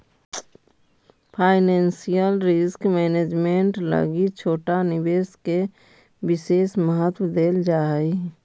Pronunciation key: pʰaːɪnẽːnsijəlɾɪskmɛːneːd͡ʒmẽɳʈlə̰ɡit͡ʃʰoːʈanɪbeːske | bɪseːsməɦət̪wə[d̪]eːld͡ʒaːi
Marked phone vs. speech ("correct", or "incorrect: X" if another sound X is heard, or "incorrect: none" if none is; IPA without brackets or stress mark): correct